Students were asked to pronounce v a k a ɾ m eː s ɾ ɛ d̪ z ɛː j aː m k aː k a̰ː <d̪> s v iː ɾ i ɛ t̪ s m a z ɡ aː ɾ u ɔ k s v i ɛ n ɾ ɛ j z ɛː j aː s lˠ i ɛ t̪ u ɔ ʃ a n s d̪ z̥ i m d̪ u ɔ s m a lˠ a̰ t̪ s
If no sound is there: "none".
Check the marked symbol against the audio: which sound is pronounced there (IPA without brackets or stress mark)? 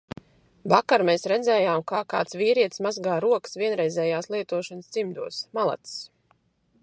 t̪